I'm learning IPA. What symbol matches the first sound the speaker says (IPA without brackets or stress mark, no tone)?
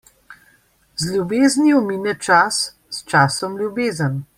z